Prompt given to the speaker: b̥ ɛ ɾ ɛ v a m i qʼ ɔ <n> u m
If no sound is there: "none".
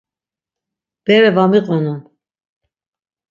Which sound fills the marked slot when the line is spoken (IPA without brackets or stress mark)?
n